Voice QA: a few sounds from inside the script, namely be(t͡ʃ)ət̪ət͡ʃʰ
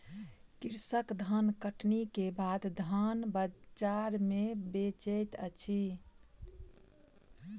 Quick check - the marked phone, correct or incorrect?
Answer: correct